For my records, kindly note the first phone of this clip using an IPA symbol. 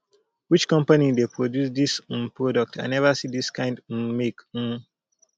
w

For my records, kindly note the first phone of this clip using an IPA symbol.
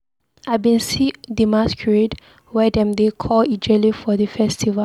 a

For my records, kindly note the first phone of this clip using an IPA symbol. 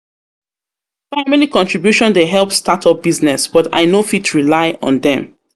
f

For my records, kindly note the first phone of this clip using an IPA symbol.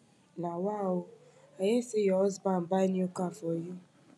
n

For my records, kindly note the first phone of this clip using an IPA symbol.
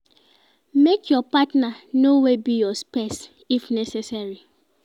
m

